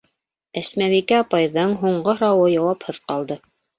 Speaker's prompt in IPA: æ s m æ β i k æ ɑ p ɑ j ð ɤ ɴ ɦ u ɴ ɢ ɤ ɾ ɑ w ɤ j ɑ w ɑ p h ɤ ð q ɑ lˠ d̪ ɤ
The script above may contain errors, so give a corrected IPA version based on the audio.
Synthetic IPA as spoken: æ s m æ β i k æ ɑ p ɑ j ð ɤ ɴ ɦ u ɴ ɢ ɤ ɾ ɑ w ɤ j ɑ w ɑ p h ɤ ð q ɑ lˠ d̪ ɤ